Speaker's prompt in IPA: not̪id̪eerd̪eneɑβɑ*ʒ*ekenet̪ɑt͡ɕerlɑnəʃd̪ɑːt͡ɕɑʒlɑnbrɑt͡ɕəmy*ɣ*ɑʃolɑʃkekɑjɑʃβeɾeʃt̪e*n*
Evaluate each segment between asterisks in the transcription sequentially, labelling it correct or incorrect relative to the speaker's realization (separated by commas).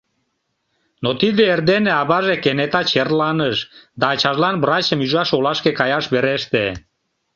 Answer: correct, incorrect, incorrect